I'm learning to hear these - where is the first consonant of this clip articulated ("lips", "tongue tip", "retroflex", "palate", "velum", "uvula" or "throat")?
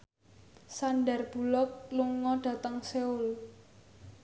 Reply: tongue tip